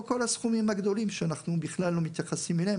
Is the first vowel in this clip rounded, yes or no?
yes